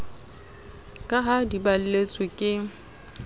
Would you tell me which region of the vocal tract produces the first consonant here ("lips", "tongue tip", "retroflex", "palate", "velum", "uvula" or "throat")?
velum